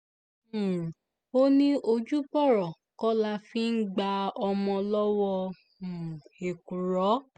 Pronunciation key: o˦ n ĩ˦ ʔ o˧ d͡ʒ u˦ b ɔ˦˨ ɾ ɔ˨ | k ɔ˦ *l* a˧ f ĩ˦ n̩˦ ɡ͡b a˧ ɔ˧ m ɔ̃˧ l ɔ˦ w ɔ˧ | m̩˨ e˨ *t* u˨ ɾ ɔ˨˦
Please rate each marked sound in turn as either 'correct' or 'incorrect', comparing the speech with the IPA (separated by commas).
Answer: correct, incorrect